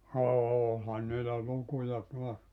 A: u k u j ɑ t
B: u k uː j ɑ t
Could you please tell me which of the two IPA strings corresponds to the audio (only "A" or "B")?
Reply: A